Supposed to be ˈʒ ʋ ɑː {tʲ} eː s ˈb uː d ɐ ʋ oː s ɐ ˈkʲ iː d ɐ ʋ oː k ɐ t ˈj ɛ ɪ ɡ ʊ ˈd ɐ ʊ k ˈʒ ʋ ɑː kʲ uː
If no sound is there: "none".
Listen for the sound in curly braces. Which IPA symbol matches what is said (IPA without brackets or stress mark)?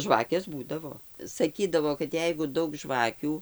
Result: kʲ